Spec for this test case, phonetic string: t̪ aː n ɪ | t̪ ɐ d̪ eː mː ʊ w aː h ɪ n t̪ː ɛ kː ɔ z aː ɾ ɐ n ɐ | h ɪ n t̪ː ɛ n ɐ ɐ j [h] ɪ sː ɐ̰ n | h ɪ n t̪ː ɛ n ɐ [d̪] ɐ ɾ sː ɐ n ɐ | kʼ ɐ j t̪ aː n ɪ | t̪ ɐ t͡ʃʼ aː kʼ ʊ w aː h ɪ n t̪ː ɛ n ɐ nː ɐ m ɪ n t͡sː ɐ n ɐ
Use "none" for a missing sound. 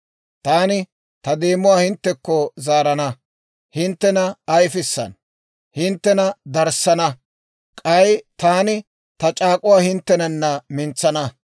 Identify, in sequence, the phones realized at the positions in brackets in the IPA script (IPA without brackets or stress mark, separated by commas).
f, d̪